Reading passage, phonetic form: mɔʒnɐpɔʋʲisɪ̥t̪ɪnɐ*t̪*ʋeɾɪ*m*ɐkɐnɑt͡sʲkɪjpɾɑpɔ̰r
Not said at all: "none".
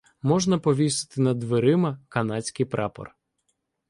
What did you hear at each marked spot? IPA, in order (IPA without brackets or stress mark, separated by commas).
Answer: d̪, m